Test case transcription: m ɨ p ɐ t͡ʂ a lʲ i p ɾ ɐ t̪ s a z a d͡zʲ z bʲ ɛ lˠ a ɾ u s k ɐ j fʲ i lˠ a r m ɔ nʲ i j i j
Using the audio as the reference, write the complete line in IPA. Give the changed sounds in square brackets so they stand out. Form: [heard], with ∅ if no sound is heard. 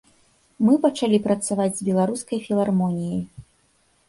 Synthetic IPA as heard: m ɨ p ɐ t͡ʂ a lʲ i p ɾ ɐ t̪ s a [v] a d͡zʲ z bʲ ɛ lˠ a ɾ u s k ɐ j fʲ i lˠ a r m ɔ nʲ i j i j